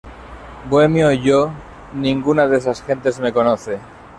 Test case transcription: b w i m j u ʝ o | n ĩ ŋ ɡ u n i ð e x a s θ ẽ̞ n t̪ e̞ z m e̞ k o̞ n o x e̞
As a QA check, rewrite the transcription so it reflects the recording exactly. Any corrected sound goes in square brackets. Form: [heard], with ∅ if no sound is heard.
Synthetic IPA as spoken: b w [e] m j [o] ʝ o | n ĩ ŋ ɡ u n [a] ð e [s] a s [x] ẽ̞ n t̪ e̞ z m e̞ k o̞ n o [θ] e̞